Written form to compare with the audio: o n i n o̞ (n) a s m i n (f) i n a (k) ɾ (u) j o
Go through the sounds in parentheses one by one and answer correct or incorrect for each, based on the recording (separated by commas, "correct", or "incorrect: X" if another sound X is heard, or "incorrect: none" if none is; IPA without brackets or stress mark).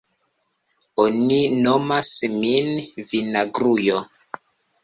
incorrect: m, incorrect: v, incorrect: ɡ, correct